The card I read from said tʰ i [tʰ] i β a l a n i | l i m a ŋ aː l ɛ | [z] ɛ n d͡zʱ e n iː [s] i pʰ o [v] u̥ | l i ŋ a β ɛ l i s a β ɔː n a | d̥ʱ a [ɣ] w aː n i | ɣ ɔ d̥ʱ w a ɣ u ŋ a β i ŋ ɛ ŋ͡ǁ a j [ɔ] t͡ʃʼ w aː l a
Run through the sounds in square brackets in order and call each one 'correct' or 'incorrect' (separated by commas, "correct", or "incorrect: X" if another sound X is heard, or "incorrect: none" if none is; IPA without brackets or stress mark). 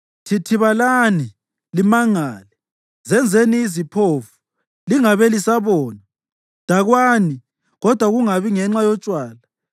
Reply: correct, correct, incorrect: z, incorrect: f, correct, correct